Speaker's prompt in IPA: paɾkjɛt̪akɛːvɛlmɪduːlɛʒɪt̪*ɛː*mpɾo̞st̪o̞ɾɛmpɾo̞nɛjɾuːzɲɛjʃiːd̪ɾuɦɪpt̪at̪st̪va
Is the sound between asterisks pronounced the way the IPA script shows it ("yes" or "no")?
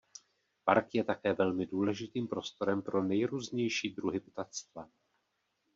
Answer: no